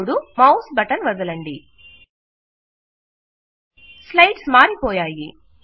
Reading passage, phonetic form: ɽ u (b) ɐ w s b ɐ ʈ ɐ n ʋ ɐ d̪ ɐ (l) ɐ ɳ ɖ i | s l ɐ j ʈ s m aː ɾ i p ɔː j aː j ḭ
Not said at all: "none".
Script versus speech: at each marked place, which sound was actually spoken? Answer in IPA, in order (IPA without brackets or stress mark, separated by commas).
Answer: m, l